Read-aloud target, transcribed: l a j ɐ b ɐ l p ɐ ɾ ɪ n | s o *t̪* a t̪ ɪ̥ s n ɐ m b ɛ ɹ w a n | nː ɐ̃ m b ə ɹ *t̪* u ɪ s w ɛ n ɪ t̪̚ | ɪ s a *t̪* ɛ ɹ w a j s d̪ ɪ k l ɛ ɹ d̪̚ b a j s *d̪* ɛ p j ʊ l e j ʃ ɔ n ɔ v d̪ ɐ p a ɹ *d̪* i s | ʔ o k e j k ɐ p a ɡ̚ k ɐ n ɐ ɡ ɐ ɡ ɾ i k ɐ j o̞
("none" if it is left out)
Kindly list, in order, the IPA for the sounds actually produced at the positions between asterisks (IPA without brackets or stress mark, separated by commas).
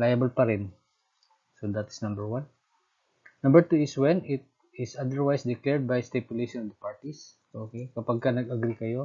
d̪, t̪, d̪, t̪, t̪